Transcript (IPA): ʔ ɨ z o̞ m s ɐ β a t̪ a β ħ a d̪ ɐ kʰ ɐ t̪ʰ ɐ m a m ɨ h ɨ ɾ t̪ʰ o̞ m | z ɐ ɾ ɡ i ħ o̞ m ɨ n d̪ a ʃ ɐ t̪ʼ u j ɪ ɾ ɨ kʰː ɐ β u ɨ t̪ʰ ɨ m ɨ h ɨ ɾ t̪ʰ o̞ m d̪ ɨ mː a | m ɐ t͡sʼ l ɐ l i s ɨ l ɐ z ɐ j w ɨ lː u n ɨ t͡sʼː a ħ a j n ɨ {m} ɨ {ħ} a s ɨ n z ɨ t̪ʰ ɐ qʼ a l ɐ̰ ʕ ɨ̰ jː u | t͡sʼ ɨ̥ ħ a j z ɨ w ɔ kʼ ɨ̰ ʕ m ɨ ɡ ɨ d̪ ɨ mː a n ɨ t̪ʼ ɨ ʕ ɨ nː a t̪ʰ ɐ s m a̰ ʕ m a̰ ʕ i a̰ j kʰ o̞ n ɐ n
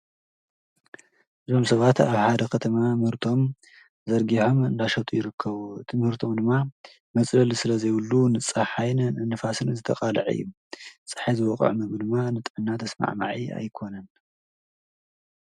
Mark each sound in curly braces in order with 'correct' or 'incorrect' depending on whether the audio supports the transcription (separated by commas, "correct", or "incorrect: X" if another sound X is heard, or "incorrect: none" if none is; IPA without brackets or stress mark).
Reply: incorrect: n, incorrect: f